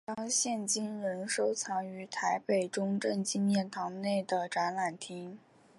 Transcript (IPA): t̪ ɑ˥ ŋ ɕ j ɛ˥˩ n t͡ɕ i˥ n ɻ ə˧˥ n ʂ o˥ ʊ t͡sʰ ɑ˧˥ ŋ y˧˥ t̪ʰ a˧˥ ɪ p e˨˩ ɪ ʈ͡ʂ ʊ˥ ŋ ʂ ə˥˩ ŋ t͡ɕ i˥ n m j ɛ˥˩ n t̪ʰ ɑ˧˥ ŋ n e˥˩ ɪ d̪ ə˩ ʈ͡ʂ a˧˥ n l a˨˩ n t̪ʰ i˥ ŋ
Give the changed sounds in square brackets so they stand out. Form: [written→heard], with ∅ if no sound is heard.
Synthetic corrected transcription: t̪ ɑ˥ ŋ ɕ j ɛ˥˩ n t͡ɕ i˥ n ɻ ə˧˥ n ʂ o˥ ʊ t͡sʰ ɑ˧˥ ŋ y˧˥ t̪ʰ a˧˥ ɪ p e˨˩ ɪ ʈ͡ʂ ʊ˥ ŋ [ʂ→ʈ͡ʂ] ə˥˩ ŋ t͡ɕ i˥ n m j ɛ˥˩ n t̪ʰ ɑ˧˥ ŋ n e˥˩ ɪ d̪ ə˩ ʈ͡ʂ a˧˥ n l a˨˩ n t̪ʰ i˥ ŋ